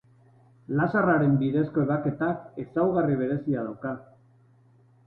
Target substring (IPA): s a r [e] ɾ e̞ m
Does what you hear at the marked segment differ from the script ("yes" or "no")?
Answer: yes